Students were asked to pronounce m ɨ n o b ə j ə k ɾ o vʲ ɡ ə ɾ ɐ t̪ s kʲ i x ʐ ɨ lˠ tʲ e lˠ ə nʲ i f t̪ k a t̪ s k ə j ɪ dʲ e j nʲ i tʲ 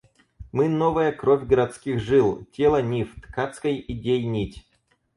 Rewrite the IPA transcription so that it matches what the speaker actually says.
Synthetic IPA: m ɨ n o v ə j ə k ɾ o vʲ ɡ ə ɾ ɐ t̪ s kʲ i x ʐ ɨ lˠ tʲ e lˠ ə nʲ i f t̪ k a t̪ s k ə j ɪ dʲ e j nʲ i tʲ